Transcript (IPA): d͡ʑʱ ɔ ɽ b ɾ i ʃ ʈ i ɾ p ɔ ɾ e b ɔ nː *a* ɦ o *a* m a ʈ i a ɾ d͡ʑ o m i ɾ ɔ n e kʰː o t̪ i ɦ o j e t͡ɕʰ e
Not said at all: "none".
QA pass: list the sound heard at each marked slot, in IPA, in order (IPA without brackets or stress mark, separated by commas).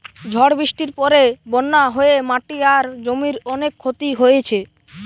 a, e